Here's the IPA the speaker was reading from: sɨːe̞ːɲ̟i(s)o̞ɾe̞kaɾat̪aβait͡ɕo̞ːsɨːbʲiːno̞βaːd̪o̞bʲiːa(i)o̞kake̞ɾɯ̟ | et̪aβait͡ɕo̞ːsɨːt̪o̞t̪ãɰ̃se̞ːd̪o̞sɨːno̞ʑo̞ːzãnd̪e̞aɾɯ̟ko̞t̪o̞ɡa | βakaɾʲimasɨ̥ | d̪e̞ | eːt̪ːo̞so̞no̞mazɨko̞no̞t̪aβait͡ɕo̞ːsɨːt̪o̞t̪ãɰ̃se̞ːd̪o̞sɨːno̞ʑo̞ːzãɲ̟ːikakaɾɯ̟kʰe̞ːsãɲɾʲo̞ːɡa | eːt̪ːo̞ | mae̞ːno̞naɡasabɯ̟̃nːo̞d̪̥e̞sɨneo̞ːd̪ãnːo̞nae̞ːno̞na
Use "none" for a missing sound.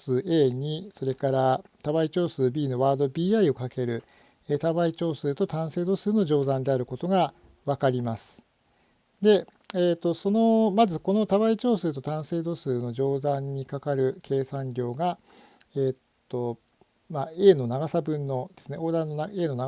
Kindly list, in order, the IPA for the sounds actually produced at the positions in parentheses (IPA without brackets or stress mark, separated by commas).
s, i